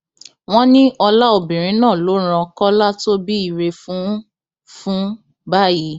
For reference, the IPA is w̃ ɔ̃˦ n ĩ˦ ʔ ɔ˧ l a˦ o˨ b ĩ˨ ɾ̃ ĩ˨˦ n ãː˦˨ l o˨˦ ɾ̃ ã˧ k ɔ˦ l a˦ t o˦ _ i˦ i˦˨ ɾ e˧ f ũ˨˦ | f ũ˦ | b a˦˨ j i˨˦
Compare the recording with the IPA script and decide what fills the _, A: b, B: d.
A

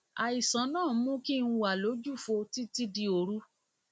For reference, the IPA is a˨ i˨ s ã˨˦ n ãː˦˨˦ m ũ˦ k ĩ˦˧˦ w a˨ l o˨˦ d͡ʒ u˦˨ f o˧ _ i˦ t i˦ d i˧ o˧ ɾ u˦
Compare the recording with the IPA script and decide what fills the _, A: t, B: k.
A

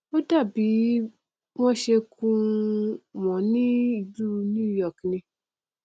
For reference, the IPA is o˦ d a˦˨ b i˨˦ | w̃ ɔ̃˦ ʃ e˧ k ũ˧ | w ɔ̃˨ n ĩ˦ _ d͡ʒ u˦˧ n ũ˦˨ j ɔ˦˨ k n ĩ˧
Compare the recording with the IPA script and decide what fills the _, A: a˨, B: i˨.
B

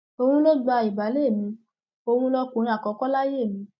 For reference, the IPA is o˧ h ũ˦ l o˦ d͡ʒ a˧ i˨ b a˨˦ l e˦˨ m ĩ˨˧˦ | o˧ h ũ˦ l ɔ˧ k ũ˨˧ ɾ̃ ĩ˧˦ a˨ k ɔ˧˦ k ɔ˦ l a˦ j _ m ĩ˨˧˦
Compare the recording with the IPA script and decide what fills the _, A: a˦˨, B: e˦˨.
B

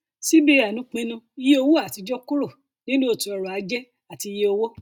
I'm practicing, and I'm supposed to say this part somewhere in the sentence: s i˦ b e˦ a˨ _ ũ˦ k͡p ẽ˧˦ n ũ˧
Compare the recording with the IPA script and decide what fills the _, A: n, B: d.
A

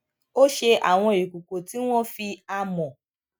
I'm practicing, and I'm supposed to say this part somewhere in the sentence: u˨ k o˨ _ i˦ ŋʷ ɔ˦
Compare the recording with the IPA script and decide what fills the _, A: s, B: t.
B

